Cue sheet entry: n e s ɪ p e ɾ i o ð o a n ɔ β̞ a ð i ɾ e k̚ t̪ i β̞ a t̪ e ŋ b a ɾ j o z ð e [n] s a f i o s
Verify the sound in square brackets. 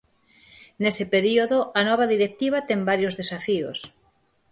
incorrect: none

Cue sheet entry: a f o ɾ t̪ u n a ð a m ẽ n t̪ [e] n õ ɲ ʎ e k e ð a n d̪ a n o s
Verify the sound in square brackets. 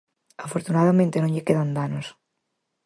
correct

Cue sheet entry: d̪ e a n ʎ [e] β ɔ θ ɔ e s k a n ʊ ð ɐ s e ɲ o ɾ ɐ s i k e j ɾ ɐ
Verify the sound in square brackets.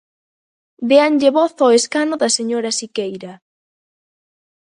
correct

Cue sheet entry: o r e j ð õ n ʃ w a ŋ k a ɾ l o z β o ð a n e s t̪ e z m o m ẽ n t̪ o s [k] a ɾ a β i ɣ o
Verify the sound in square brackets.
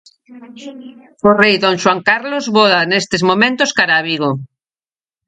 correct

